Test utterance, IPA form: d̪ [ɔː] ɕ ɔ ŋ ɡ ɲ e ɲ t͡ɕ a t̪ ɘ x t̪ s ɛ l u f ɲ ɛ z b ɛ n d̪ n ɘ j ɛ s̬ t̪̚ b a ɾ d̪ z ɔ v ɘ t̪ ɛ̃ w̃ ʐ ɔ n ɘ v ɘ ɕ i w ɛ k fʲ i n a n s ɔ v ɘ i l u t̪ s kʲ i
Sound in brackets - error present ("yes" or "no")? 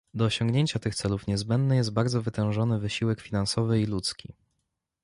no